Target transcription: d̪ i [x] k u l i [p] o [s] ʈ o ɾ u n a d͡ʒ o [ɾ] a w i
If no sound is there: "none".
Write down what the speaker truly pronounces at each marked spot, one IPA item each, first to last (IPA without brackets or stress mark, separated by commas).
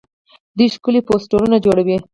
ʃ, p, s, ɽ